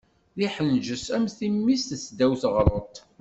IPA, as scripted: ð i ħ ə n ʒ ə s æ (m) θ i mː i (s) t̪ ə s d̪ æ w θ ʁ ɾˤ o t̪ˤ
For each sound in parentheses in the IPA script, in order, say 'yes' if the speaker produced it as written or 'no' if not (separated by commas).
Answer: yes, yes